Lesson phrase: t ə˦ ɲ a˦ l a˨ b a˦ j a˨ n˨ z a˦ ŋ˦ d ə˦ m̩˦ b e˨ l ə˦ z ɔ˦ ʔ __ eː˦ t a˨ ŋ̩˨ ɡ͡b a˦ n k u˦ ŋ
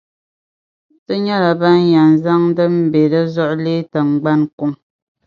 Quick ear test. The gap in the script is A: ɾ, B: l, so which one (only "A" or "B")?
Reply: B